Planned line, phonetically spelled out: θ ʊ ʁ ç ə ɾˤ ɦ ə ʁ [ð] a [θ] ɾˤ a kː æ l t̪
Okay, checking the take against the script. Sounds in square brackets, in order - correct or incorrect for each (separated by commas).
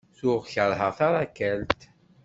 incorrect, incorrect